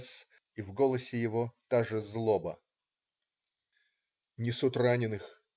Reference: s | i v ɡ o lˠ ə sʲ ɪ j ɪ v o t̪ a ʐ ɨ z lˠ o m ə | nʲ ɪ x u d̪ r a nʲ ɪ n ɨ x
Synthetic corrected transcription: s | i v ɡ o lˠ ə sʲ ɪ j ɪ v o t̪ a ʐ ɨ z lˠ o b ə | nʲ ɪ s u t̪ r a nʲ ɪ n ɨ x